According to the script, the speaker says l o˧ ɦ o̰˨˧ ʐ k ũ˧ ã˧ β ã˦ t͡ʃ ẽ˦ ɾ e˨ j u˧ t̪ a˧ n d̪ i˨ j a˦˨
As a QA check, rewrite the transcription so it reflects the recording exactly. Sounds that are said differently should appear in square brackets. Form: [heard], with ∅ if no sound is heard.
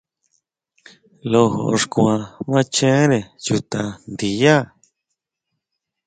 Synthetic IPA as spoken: l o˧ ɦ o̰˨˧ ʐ k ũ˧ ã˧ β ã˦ t͡ʃ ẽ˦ ɾ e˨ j u˧ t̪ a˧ n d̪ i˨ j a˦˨